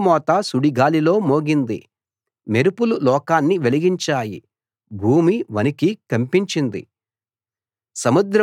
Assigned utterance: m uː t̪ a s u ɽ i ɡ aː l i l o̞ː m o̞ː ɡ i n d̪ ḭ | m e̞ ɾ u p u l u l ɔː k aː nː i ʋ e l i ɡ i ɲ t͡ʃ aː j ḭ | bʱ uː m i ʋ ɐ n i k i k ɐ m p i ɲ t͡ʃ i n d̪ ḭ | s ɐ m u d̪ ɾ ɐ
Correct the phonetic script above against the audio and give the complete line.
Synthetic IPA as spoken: m ɔː t̪ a s u ɽ i ɡ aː l i l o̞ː m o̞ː ɡ i n d̪ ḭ | m e̞ ɾ u p u l u l ɔː k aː nː i ʋ e l i ɡ i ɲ t͡ʃ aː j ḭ | bʱ uː m i ʋ ɐ n i k i k ɐ m p i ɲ t͡ʃ i n d̪ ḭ | s ɐ m u d̪ ɾ ɐ